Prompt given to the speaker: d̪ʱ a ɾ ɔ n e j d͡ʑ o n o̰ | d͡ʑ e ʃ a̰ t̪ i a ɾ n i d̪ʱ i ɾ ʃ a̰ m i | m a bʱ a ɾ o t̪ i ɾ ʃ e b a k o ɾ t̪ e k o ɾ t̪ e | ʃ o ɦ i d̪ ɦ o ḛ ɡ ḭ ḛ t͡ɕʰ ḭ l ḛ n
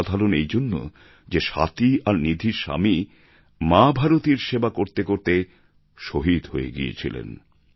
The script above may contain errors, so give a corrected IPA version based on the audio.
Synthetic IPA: d̪ʱ a ɾ o n e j d͡ʑ o nː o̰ | d͡ʑ e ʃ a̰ t̪ i a ɾ n i d̪ʱ i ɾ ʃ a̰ m i | m a bʱ a ɾ o t̪ i ɾ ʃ e b a k o ɾ t̪ e k o ɾ t̪ e | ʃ o ɦ i d̪ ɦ o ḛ ɡ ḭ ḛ t͡ɕʰ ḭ l ḛ n